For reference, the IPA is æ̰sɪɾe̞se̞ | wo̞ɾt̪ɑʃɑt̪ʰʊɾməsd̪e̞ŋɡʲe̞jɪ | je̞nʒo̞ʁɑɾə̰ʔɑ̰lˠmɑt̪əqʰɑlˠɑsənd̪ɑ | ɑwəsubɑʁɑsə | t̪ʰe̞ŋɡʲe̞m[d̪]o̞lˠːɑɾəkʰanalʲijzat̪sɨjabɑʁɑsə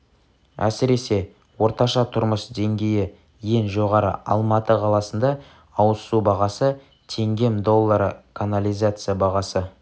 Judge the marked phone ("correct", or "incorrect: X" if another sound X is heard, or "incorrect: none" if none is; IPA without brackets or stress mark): correct